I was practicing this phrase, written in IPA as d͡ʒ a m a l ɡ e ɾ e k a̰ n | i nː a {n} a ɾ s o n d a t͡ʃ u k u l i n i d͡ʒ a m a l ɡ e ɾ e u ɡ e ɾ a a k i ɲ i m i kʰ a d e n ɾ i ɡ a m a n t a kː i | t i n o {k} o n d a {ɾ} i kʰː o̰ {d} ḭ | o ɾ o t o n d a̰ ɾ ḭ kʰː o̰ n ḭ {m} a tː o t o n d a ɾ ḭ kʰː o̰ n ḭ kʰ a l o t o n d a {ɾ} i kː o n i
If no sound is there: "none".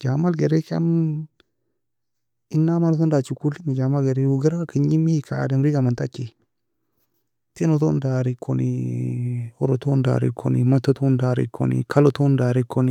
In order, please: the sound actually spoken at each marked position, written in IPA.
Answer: m, t, ɾ, n, m, ɾ

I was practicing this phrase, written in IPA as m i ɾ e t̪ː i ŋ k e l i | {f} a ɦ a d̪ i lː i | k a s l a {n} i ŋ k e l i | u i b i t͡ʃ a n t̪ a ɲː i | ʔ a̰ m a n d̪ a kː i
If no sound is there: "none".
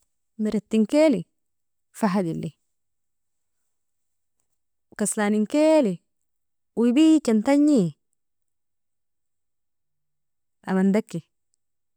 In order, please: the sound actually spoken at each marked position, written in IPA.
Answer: f, n

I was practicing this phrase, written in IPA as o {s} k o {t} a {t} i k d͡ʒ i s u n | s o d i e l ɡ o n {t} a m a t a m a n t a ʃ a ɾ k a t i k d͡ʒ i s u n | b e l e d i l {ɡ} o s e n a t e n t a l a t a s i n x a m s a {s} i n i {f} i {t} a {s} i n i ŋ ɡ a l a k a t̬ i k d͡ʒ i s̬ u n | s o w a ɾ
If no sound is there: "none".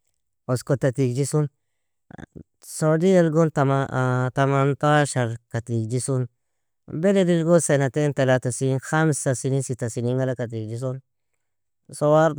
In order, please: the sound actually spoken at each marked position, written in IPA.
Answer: s, t, t, t, ɡ, s, s, t, s

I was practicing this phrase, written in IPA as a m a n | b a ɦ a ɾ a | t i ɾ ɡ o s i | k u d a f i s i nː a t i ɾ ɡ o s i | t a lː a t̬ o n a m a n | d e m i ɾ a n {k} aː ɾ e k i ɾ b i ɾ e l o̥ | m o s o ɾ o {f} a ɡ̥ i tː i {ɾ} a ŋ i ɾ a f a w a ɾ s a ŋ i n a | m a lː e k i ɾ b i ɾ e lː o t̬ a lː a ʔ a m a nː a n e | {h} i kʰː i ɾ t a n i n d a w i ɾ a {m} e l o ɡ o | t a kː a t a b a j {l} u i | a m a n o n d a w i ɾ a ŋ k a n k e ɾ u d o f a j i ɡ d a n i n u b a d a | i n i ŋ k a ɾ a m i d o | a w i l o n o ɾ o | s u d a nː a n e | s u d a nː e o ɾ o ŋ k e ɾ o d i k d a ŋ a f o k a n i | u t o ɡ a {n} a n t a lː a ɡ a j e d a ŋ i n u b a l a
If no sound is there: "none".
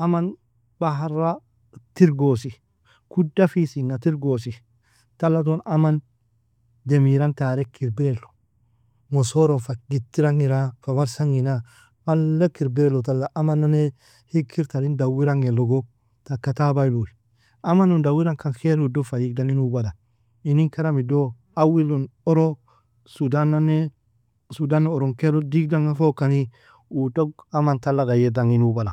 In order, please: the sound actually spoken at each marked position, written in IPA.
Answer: t, f, ɾ, h, ŋ, l, m

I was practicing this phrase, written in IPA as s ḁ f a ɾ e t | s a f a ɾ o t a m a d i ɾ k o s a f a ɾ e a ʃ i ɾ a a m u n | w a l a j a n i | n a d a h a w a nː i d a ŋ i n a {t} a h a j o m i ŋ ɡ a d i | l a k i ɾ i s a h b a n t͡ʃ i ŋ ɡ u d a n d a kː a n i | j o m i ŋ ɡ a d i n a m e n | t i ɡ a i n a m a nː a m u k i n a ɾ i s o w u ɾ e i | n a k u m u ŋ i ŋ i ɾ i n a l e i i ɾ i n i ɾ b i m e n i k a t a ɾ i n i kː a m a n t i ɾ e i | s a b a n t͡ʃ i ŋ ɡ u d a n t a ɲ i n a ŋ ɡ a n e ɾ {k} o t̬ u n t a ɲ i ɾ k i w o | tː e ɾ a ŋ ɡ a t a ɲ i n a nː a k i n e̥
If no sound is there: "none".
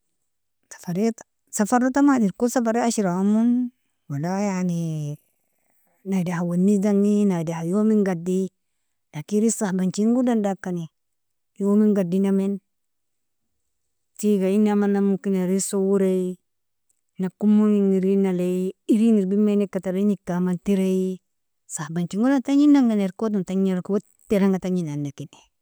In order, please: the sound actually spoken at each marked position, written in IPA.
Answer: d, k

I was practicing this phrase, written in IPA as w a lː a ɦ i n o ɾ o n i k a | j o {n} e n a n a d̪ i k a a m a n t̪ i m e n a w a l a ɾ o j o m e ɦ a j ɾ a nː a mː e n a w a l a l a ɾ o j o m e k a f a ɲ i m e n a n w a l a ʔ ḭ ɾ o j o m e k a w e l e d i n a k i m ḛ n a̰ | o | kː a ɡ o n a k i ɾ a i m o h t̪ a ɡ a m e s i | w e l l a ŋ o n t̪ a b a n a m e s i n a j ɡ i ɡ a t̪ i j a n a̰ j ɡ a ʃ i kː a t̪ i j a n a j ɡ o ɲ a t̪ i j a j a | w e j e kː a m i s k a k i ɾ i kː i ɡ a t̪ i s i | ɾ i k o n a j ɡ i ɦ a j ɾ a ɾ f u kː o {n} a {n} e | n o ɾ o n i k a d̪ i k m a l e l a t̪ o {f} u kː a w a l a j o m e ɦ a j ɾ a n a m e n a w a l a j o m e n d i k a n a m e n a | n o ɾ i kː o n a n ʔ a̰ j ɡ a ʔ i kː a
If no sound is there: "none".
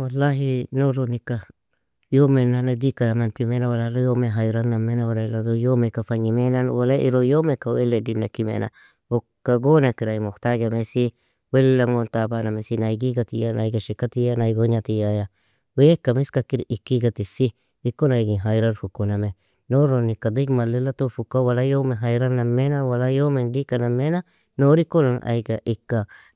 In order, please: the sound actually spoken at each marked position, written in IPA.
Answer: m, n, m, f

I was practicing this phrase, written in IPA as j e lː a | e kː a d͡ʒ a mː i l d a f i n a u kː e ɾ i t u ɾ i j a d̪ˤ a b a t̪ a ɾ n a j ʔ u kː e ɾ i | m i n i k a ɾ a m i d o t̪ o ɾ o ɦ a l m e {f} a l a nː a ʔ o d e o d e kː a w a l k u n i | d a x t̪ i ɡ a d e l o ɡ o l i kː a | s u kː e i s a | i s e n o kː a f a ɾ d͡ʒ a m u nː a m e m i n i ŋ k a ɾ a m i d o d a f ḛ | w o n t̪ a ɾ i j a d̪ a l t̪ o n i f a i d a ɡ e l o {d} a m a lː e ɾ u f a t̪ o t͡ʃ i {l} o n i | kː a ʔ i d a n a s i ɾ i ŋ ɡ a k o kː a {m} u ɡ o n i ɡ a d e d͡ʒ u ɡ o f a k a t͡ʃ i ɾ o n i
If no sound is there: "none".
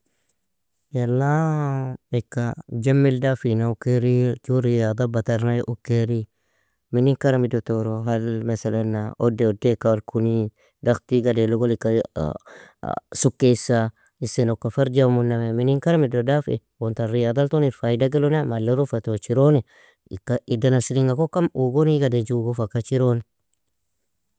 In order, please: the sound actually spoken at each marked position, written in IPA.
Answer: s, n, ɾ, m

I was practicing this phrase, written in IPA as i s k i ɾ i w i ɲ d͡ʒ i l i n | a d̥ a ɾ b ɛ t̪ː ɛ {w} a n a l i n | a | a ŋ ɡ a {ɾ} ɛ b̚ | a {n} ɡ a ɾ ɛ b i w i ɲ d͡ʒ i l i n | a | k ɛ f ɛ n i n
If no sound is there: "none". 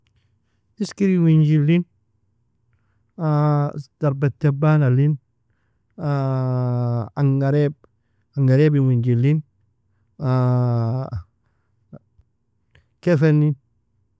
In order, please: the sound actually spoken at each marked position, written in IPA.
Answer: b, ɾ, ŋ

